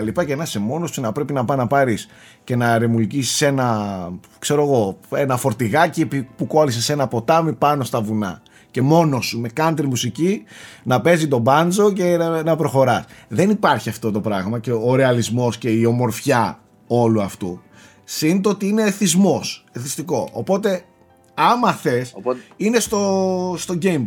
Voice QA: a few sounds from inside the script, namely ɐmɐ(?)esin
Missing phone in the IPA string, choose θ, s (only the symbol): θ